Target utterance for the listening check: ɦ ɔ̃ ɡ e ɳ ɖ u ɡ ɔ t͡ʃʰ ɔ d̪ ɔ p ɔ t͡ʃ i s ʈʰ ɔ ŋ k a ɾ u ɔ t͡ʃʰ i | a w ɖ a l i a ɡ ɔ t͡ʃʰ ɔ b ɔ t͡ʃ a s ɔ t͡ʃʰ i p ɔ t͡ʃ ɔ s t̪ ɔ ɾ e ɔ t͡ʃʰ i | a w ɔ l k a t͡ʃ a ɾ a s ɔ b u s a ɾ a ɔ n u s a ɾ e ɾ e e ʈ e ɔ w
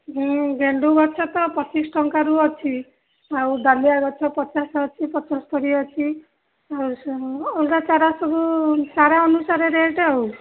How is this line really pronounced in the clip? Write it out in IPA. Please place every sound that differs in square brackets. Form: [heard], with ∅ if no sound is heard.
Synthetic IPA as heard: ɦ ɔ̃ ɡ e ɳ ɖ u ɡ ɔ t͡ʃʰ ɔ [t̪] ɔ p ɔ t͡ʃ i s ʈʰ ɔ ŋ k a ɾ u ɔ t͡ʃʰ i | a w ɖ a l i a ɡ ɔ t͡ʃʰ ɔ [p] ɔ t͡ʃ a s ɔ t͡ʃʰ i p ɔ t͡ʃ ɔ s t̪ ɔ ɾ [i] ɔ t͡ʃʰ i | a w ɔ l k a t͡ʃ a ɾ a s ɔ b u s a ɾ a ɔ n u s a ɾ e ɾ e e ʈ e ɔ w